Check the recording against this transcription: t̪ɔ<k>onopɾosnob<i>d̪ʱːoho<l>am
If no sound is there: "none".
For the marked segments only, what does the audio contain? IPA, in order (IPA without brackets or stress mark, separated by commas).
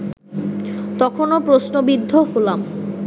kʰ, i, l